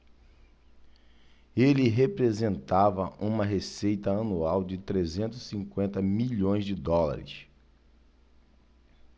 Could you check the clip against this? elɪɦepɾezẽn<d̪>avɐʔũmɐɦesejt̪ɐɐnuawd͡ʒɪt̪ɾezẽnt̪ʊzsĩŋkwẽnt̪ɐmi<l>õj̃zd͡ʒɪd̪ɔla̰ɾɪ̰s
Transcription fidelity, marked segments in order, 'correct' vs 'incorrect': incorrect: t̪, incorrect: ʎ

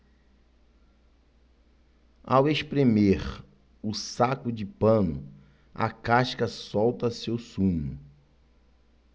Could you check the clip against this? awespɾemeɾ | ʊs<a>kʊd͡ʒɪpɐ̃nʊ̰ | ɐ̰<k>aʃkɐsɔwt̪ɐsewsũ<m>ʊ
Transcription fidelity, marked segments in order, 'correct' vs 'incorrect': correct, correct, incorrect: ɲ

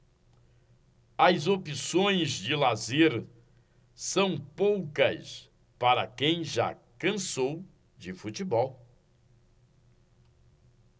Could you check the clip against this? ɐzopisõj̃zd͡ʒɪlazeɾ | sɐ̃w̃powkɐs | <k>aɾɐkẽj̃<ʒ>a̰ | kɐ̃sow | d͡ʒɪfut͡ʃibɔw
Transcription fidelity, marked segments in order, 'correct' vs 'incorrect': incorrect: p, correct

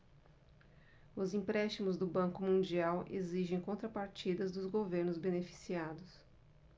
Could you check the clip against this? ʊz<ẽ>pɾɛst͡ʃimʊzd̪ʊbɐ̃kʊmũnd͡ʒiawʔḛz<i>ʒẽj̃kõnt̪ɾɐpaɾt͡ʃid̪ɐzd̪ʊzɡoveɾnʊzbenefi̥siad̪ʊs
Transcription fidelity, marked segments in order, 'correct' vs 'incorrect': incorrect: ĩ, correct

